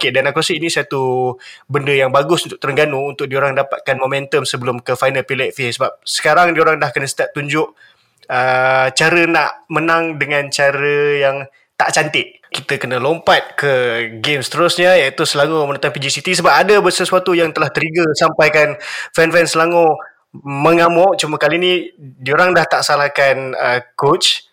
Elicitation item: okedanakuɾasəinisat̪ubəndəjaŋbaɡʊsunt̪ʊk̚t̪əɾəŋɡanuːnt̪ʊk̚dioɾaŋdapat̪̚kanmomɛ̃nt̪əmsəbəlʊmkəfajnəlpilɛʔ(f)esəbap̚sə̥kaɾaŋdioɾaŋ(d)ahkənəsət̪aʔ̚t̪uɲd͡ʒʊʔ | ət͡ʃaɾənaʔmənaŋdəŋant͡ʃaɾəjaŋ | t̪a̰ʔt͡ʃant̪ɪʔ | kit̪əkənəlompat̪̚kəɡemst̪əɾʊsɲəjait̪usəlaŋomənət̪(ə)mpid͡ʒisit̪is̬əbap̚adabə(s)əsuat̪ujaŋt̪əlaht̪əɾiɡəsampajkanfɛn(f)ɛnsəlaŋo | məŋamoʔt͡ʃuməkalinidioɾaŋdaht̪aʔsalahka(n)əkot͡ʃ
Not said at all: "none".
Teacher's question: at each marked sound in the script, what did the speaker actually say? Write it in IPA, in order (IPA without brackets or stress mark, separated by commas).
f, d, a, s, f, n